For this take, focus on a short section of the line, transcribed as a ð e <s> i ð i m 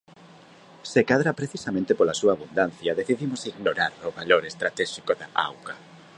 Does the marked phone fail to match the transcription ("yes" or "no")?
yes